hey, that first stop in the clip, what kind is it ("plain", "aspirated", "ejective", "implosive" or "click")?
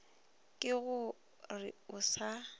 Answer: ejective